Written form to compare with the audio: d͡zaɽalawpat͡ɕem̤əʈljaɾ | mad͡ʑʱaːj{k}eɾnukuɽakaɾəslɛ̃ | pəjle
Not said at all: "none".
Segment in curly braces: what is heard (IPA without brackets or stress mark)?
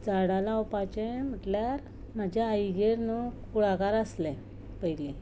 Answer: ɡ